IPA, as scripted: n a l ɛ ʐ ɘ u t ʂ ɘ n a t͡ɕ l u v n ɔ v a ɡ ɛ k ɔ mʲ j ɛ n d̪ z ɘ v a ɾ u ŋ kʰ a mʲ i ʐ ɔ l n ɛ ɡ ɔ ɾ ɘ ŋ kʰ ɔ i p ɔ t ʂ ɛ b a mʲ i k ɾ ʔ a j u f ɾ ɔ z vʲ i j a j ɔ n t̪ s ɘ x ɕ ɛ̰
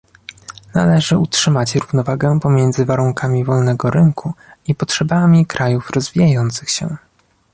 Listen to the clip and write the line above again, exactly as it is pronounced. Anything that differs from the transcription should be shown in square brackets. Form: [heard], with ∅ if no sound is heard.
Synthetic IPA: n a l ɛ ʐ ɘ u t ʂ ɘ [m] a t͡ɕ [ɾ] u v n ɔ v a ɡ ɛ [p] ɔ mʲ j ɛ n d̪ z ɘ v a ɾ u ŋ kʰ a mʲ i [v] ɔ l n ɛ ɡ ɔ ɾ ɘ ŋ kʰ [u] i p ɔ t ʂ ɛ b a mʲ i k ɾ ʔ a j u f ɾ ɔ z vʲ i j a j ɔ n t̪ s ɘ x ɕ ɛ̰

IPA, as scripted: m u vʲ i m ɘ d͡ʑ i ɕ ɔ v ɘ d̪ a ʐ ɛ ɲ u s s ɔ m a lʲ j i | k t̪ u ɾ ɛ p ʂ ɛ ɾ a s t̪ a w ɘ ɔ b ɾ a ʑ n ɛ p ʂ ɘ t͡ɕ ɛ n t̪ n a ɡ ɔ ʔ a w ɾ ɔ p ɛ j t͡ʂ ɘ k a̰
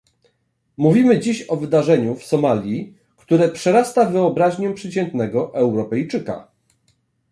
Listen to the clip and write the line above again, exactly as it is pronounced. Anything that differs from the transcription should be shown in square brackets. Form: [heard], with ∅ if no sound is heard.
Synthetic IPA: m u vʲ i m ɘ d͡ʑ i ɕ ɔ v ɘ d̪ a ʐ ɛ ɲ u [f] s ɔ m a lʲ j i | k t̪ u ɾ ɛ p ʂ ɛ ɾ a s t̪ a [v] ɘ ɔ b ɾ a ʑ [ɲ] ɛ p ʂ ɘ t͡ɕ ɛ n t̪ n [ɛ] ɡ ɔ ʔ [ɛ] w ɾ ɔ p ɛ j t͡ʂ ɘ k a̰

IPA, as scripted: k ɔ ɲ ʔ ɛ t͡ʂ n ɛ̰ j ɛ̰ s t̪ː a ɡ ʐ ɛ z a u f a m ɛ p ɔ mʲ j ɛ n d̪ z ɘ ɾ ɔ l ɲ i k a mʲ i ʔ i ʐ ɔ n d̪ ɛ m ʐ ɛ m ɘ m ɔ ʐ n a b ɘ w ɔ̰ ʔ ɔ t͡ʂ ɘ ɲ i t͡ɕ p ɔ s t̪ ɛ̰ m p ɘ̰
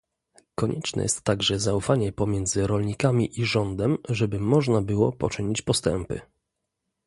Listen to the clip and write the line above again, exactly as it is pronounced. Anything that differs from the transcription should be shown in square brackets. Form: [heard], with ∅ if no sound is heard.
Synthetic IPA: k ɔ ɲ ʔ ɛ t͡ʂ n ɛ̰ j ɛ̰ s t̪ː a ɡ ʐ ɛ z a u f a [ɲ] ɛ p ɔ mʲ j ɛ n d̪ z ɘ ɾ ɔ l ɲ i k a mʲ i ʔ i ʐ ɔ n d̪ ɛ m ʐ ɛ [b] ɘ m ɔ ʐ n a b ɘ w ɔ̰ [p] ɔ t͡ʂ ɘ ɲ i t͡ɕ p ɔ s t̪ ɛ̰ m p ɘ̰

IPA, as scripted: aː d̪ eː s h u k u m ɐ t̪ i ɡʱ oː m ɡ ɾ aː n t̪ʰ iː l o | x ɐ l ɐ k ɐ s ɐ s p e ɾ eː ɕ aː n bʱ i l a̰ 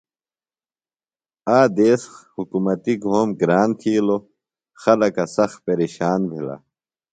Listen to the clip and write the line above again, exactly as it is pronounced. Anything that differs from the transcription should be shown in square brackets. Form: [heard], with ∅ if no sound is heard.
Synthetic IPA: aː d̪ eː s h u k u m ɐ t̪ i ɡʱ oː m ɡ ɾ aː n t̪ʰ iː l o | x ɐ l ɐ k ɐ s ɐ [x] p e ɾ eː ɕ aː n bʱ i l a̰

